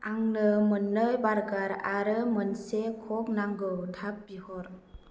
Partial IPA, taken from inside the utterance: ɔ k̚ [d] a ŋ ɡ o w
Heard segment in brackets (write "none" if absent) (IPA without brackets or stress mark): n